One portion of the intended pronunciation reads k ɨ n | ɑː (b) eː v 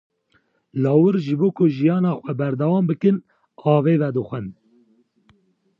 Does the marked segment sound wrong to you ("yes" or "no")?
yes